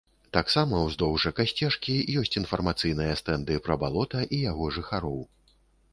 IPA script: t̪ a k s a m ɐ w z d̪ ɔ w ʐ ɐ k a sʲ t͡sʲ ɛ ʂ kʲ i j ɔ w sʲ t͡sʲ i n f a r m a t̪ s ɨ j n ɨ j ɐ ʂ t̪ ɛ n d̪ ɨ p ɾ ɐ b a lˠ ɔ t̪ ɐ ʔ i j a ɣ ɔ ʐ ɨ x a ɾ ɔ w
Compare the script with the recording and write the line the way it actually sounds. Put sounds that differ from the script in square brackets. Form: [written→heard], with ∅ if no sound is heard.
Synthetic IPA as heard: t̪ a k s a m ɐ w z d̪ ɔ w ʐ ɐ k a sʲ t͡sʲ ɛ ʂ kʲ i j ɔ [w→∅] sʲ t͡sʲ i n f [a→ɐ] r m a t̪ s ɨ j n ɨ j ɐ [ʂ→s] t̪ ɛ n d̪ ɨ p ɾ ɐ b a lˠ ɔ t̪ ɐ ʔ i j a ɣ ɔ ʐ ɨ x a ɾ ɔ w